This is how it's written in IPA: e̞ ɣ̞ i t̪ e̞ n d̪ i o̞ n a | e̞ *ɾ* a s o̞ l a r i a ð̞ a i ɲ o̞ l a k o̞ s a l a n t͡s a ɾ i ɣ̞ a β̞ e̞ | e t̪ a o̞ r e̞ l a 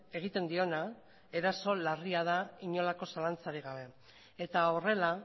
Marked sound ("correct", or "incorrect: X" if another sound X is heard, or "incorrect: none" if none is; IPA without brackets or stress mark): correct